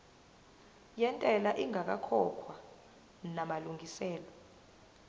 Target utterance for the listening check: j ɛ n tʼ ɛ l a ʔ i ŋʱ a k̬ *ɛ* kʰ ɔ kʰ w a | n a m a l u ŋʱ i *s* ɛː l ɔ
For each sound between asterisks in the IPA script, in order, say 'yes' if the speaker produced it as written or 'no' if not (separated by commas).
no, yes